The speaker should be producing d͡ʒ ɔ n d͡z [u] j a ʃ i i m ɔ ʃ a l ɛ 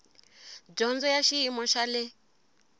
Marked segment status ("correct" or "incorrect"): incorrect